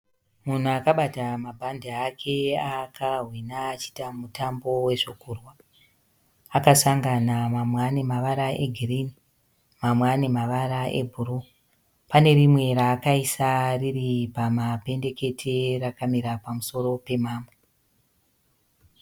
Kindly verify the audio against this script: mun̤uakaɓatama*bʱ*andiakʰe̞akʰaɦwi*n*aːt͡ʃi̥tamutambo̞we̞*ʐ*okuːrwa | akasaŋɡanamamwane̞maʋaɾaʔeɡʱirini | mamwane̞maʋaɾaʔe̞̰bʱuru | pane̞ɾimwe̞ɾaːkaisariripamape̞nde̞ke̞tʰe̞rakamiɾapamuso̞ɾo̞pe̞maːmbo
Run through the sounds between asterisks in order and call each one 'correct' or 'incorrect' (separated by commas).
correct, correct, correct